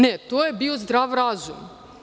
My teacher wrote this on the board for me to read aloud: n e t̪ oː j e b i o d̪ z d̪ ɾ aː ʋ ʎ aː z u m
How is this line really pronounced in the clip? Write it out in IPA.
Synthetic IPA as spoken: n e t̪ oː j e b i o z d̪ ɾ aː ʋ ɾ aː z u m